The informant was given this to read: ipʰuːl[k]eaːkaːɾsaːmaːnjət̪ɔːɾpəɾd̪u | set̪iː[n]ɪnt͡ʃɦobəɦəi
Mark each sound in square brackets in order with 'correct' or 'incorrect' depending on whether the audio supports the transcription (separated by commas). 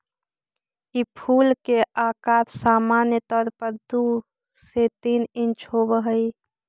correct, correct